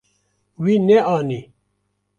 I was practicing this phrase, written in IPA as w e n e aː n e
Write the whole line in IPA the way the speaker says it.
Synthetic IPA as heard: w i n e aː n i